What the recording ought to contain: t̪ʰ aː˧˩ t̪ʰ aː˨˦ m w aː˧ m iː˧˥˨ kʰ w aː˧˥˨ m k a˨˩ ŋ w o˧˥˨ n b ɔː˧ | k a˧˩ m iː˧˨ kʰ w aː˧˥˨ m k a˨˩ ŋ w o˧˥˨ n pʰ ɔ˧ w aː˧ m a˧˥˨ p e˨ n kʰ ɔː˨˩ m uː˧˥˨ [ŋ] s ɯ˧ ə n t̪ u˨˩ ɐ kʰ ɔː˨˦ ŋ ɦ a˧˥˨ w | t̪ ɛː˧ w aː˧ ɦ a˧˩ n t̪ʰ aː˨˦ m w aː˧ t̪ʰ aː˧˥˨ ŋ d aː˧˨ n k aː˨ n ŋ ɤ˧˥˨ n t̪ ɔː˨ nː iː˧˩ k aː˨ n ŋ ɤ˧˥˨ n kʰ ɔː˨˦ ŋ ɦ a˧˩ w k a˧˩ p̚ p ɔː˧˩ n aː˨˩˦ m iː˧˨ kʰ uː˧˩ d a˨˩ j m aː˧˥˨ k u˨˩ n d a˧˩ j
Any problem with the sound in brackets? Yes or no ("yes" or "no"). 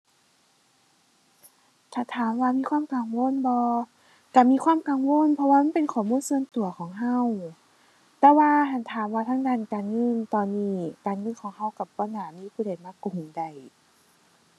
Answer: yes